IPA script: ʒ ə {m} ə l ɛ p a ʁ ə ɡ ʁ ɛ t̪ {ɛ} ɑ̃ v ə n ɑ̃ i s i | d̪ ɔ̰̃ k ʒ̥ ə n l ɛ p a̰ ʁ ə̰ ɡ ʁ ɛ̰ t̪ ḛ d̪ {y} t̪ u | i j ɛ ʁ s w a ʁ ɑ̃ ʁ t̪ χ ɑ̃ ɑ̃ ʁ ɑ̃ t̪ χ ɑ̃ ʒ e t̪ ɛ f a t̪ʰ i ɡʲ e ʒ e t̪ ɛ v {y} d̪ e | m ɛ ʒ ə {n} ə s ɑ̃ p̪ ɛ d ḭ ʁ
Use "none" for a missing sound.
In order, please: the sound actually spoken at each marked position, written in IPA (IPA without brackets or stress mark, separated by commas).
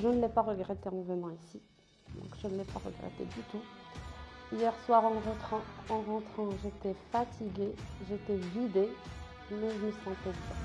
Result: n, e, y, i, m